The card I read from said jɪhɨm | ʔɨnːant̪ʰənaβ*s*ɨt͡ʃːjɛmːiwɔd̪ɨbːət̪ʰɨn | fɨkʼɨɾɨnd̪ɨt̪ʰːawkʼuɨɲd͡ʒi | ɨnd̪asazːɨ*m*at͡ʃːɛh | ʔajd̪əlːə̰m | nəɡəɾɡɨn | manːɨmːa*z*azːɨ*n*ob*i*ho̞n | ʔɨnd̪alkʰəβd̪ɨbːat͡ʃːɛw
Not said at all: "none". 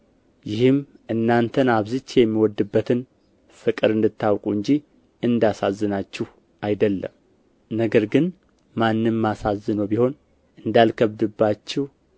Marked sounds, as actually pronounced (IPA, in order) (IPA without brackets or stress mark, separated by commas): z, n, s, n, i